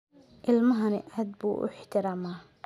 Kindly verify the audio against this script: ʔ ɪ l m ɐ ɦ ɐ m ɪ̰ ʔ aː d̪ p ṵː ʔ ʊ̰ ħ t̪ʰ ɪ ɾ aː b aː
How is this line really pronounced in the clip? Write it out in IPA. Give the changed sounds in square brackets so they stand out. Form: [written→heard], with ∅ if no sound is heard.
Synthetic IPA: ʔ ɪ l m ɐ ɦ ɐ [m→n] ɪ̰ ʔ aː d̪ [p→b] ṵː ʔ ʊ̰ ħ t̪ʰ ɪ ɾ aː [b→m] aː